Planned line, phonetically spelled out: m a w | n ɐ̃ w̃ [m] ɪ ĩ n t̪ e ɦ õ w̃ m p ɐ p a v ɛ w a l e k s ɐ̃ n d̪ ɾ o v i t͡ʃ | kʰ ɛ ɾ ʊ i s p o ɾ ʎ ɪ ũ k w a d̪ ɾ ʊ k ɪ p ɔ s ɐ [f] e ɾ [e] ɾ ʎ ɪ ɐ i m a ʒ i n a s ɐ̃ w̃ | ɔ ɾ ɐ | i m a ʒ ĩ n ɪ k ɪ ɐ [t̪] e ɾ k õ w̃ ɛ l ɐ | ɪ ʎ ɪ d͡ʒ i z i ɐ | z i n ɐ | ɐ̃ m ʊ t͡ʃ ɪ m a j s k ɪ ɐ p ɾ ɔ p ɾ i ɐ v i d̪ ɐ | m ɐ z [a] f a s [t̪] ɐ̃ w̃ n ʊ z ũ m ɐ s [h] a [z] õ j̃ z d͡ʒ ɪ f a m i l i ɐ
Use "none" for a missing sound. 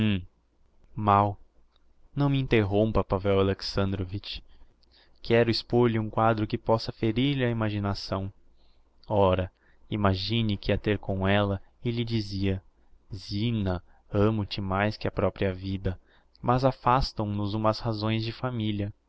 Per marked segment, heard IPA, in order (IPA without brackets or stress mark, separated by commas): m, f, i, t̪, a, t̪, h, z